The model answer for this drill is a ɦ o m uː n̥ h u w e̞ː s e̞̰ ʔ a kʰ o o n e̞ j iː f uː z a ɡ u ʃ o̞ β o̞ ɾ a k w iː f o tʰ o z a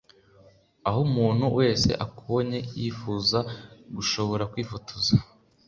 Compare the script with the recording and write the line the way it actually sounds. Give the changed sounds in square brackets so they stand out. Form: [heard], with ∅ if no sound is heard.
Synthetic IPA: a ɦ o m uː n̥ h u w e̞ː s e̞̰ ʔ a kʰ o o [ɲ] e̞ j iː f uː z a ɡ u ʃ o̞ β o̞ ɾ a k w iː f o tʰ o z a

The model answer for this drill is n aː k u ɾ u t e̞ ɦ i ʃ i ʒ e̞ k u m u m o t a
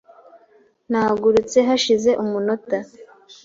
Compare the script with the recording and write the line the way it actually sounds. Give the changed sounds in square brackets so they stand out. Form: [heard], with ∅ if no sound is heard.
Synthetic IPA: n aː [ɡ] u ɾ u [t͡s] e̞ ɦ [a] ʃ i [z] e̞ [ʔ] u m u [n] o t a

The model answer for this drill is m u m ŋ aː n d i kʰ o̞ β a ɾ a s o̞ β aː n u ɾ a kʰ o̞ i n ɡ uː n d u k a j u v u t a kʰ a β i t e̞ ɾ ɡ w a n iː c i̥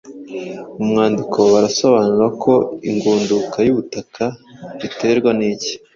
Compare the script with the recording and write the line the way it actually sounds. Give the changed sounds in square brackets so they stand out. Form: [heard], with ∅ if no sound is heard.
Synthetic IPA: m u m ŋ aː n d i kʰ o̞ β a ɾ a s o̞ β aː n u ɾ a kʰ o̞ i [ŋ] ɡ uː n d u k a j u [β] u t a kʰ a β i t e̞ ɾ ɡ w a n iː c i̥

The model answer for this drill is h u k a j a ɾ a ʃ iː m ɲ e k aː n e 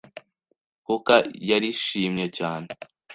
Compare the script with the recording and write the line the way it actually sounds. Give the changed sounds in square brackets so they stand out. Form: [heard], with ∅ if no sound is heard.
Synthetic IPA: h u k a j a ɾ [i] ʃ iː m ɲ e [c] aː n e

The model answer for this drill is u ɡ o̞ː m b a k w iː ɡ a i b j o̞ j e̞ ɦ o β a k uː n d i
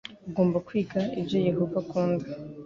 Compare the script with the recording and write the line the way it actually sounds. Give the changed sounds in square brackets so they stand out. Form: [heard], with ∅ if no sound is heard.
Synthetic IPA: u ɡ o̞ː m b a k w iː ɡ a i b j o̞ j e̞ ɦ o [v] a k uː n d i

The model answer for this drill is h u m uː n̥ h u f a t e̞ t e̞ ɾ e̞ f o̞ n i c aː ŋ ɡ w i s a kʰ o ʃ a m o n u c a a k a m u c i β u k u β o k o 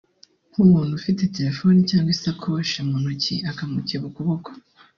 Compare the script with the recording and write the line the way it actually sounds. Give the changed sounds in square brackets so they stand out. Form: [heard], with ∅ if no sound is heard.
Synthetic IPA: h u m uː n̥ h u f [i] t e̞ t e̞ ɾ e̞ f o̞ n i c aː ŋ ɡ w i s a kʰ o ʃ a m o n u c [i] a k a m u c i β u k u β o k o

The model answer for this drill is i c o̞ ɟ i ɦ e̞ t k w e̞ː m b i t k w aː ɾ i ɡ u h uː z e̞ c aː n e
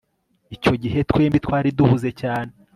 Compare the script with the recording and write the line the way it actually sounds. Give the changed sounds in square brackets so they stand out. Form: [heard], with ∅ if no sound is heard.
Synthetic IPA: i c o̞ ɟ i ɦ e̞ t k w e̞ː m b i t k w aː ɾ i [d] u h [u] z e̞ c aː n e

